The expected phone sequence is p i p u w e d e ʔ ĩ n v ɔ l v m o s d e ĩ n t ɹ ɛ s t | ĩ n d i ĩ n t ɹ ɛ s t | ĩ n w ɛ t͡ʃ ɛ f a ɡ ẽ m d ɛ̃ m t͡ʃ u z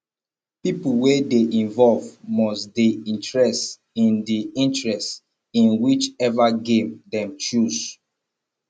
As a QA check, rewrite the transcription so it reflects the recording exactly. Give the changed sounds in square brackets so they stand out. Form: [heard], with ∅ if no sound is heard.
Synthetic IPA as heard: p i p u w e d e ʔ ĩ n v ɔ l v m [ɔ] s d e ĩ n t ɹ ɛ s t | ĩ n d i ĩ n t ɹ ɛ s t | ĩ n w [i] t͡ʃ ɛ [v] a ɡ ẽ m d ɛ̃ m t͡ʃ u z